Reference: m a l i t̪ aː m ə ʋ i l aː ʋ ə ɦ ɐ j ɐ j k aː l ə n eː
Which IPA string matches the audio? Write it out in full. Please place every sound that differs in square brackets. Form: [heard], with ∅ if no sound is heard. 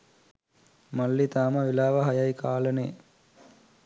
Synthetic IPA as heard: m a [lː] i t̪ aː m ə ʋ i l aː ʋ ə ɦ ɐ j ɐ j k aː l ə n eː